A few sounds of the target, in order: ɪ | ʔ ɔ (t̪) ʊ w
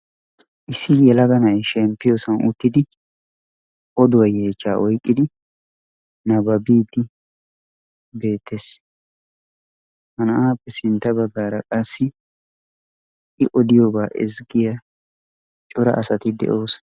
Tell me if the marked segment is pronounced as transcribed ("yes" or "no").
no